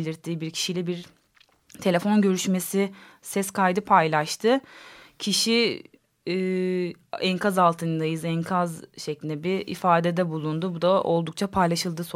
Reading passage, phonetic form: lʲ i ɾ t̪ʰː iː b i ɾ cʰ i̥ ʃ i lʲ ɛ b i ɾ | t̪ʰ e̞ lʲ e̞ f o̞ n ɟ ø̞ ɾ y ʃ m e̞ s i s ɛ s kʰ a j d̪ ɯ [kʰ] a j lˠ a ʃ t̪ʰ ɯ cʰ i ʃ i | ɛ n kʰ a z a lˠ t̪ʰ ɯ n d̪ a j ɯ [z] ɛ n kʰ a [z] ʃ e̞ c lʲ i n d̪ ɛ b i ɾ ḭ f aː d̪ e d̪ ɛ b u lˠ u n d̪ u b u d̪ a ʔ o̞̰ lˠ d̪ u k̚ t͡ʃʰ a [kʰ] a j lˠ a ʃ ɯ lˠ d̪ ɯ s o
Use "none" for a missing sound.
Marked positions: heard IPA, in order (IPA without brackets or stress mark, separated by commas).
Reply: pʰ, z, z, pʰ